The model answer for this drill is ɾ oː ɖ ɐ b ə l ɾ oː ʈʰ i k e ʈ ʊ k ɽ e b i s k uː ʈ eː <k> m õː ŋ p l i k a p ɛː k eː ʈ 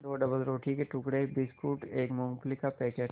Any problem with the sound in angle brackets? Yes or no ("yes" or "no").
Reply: no